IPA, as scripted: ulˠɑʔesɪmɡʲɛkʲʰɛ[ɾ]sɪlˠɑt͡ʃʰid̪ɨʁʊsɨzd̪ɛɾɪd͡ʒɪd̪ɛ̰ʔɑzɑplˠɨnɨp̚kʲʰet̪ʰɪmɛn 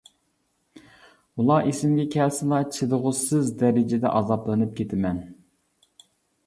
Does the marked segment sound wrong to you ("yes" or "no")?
yes